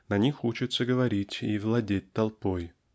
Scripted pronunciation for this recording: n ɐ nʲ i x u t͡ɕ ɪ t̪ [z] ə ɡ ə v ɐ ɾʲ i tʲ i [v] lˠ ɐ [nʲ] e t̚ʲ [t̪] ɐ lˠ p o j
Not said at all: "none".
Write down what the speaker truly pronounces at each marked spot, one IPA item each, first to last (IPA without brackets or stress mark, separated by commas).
s, v, dʲ, t̪